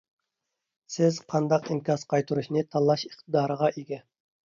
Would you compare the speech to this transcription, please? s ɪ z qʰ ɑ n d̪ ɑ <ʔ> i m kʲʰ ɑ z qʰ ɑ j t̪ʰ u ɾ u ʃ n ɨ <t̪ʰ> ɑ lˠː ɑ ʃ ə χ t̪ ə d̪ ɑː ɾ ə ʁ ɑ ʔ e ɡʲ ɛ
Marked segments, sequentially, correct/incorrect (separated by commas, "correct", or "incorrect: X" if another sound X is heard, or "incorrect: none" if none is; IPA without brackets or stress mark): incorrect: q, correct